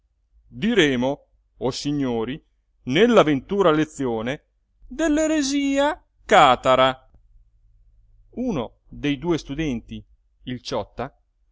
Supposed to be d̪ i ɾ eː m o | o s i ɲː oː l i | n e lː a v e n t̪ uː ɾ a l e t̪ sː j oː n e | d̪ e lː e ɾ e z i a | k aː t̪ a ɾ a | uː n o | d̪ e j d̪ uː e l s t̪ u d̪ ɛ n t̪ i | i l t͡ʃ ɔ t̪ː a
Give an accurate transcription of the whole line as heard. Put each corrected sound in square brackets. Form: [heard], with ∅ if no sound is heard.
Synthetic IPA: d̪ i ɾ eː m o | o s i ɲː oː [ɾ] i | n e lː a v e n t̪ uː ɾ a l e t̪ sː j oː n e | d̪ e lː e ɾ e z [iː] a | k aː t̪ a ɾ a | uː n o | d̪ e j d̪ uː e [∅] s t̪ u d̪ ɛ n t̪ i | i l t͡ʃ ɔ t̪ː a